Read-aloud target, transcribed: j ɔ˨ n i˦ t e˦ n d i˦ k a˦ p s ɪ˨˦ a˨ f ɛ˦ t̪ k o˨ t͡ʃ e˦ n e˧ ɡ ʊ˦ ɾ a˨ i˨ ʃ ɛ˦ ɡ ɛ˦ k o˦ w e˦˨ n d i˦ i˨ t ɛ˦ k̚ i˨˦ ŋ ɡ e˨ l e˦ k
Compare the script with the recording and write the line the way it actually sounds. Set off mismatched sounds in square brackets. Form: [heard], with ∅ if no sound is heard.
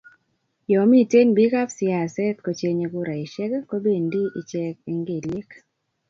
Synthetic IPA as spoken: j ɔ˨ [m] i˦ t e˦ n [b] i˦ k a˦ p s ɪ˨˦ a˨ [s] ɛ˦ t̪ k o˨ t͡ʃ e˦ [ɲ] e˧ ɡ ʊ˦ ɾ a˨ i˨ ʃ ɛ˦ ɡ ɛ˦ k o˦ [b] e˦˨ n d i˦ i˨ [t͡ʃ] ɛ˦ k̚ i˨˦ ŋ ɡ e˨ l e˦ k

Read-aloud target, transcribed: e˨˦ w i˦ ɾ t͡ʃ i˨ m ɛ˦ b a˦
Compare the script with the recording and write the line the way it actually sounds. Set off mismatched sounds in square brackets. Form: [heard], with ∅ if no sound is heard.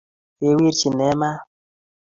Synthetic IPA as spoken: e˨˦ w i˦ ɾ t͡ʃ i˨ [n] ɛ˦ [m] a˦

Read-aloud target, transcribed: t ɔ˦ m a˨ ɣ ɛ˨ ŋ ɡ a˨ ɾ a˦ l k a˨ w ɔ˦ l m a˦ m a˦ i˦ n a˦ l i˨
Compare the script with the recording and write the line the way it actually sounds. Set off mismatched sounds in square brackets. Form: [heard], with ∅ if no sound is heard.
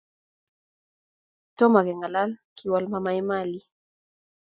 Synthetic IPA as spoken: t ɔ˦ m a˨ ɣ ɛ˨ ŋ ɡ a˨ [l] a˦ l k [i˨] w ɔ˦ l m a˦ m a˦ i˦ [m] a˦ l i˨

